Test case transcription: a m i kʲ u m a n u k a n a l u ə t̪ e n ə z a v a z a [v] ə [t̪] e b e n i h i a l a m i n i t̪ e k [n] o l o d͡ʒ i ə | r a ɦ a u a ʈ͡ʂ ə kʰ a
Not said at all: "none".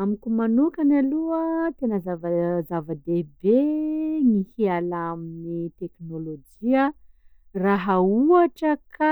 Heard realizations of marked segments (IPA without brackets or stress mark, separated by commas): v, d̪, n